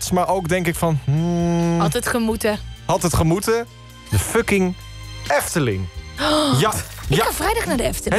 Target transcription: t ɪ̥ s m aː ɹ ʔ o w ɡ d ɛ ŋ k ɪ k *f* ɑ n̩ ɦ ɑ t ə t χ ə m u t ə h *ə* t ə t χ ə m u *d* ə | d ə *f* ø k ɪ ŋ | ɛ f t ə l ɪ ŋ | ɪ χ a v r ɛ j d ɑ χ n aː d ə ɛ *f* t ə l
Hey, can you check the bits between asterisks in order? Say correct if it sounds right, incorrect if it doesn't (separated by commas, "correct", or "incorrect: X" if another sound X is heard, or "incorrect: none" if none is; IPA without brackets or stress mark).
correct, incorrect: ɑ, incorrect: t, correct, correct